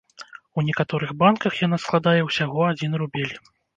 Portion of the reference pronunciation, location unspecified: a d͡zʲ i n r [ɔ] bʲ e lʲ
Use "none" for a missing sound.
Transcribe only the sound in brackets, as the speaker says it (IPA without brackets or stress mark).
u